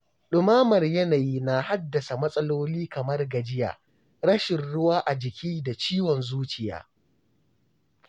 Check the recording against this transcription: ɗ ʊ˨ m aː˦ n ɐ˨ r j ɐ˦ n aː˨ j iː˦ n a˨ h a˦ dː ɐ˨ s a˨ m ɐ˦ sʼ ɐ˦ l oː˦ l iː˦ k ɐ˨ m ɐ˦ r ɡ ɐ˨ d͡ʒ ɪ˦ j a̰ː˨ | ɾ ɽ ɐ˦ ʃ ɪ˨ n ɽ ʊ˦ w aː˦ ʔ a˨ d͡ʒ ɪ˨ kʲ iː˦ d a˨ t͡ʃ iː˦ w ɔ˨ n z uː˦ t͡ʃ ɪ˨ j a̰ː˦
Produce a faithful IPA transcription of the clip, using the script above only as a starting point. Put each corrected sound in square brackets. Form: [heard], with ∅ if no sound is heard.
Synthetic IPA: ɗ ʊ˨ m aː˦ [m] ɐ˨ r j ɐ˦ n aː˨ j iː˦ n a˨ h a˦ dː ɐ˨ s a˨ m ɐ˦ sʼ ɐ˦ l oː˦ l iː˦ k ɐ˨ m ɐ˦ r ɡ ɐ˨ d͡ʒ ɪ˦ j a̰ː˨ | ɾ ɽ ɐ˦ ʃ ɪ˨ n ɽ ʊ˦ w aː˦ ʔ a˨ d͡ʒ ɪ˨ kʲ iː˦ d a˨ t͡ʃ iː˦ w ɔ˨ n z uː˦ t͡ʃ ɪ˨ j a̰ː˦